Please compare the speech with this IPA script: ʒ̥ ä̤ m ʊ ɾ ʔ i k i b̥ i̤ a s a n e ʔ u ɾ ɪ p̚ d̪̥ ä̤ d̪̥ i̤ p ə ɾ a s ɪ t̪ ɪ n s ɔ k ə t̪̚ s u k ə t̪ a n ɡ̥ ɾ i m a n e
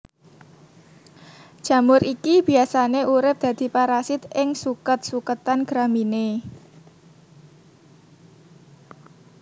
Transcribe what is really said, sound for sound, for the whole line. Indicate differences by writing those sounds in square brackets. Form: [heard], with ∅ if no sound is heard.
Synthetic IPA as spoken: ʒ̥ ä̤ m ʊ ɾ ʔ i k i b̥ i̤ a s a n e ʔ u ɾ ɪ p̚ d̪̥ ä̤ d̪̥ i̤ p [a] ɾ a s ɪ t̪ ɪ [ŋ] s [u] k ə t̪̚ s u k ə t̪ a n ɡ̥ ɾ [a] m [i] n e